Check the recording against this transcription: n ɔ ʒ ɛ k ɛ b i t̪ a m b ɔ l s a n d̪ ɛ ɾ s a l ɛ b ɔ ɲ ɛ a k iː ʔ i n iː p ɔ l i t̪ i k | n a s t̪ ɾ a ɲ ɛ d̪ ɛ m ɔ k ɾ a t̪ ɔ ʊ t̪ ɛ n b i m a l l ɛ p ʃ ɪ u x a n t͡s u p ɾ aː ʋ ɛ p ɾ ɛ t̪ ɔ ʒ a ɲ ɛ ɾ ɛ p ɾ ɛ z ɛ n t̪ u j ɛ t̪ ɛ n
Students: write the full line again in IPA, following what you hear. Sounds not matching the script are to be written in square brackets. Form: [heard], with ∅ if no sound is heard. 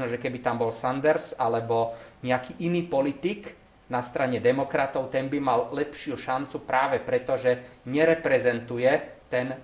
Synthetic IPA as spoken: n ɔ ʒ ɛ k ɛ b i t̪ a m b ɔ l s a n d̪ ɛ ɾ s a l ɛ b ɔ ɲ ɛ a k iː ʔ i n iː p ɔ l i t̪ i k | n a s t̪ ɾ a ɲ ɛ d̪ ɛ m ɔ k ɾ a t̪ ɔ ʊ t̪ ɛ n b i m a l l ɛ p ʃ ɪ u [ʃ] a n t͡s u p ɾ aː ʋ ɛ p ɾ ɛ t̪ ɔ ʒ [ɛ] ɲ ɛ ɾ ɛ p ɾ ɛ z ɛ n t̪ u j ɛ t̪ ɛ n